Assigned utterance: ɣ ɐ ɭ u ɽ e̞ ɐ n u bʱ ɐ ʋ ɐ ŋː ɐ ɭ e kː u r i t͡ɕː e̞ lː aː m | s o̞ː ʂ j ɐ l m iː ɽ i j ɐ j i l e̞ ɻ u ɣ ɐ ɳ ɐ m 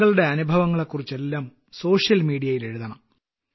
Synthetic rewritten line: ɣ ɐ ɭ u ɽ e̞ ɐ n u bʱ ɐ ʋ ɐ ŋː ɐ ɭ e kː u r i t͡ɕː e̞ lː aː m | s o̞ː ʂ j ɐ l m iː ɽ i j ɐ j i l e̞ ɻ u ð ɐ ɳ ɐ m